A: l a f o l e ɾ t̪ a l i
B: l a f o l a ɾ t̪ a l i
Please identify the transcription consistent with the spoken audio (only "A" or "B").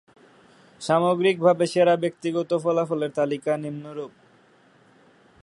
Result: A